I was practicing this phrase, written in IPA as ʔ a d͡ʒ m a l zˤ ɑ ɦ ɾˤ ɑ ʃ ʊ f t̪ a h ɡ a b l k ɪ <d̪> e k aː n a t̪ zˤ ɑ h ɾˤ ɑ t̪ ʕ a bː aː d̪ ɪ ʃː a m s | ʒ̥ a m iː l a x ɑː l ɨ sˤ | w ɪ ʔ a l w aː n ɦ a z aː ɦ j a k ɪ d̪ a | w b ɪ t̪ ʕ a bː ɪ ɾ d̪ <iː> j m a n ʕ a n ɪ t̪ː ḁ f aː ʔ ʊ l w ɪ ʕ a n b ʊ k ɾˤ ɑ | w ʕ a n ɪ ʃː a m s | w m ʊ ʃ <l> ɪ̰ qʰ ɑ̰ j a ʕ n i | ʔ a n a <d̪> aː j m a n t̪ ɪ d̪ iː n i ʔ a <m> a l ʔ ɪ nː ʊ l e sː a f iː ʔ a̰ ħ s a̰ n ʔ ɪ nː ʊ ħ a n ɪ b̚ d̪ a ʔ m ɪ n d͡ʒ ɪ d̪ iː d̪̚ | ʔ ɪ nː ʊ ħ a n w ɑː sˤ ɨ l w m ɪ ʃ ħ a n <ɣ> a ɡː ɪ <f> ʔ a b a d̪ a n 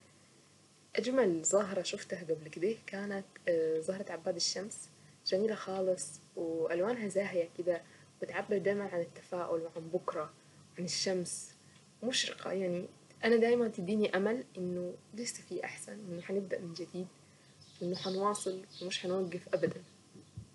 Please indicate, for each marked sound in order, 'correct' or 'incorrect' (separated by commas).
correct, incorrect, incorrect, correct, correct, incorrect, correct